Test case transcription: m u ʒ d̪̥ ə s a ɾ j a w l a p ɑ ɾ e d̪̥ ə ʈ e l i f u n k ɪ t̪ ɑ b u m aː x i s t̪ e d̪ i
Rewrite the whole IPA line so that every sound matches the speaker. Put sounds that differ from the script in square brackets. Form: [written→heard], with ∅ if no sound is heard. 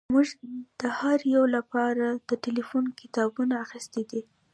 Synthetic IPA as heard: m u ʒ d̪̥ ə [s→h] a ɾ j a w l a p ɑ ɾ [e→a] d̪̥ ə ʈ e l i f u n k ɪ t̪ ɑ b u [m→n] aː x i s t̪ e d̪ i